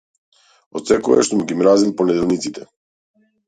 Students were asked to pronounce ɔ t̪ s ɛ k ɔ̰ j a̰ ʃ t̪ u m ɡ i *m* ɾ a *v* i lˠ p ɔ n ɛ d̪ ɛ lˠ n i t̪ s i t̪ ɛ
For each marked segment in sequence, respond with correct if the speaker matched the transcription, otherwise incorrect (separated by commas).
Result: correct, incorrect